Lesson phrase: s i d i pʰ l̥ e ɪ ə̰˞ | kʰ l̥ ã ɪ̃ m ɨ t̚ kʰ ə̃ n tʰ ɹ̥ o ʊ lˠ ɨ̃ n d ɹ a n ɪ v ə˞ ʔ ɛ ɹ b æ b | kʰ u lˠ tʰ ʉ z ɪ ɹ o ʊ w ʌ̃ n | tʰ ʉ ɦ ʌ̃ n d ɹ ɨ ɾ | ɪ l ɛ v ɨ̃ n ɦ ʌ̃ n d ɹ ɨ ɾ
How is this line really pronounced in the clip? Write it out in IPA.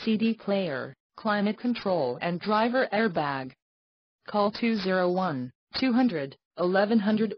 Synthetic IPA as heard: s i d i pʰ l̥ e ɪ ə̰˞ | kʰ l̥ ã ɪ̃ m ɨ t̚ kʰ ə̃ n tʰ ɹ̥ o ʊ lˠ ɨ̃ n d ɹ a ɪ v ə˞ ʔ ɛ ɹ b æ ɡ | kʰ ɔ lˠ tʰ ʉ z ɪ ɹ o ʊ w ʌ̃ n | tʰ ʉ ɦ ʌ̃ n d ɹ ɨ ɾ | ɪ l ɛ v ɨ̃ n ɦ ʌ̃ n d ɹ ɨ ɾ